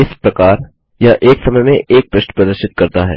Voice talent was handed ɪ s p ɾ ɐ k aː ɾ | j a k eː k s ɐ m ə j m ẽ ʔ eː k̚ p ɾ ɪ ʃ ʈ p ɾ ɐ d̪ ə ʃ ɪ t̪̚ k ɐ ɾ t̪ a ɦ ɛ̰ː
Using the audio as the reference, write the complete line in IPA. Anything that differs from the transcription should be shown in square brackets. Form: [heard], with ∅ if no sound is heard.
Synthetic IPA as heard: ɪ s p ɾ ɐ k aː ɾ | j a [ʔ] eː k s ɐ m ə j m ẽ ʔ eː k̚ p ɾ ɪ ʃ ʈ p ɾ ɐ d̪ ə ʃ ɪ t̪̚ k ɐ ɾ t̪ a ɦ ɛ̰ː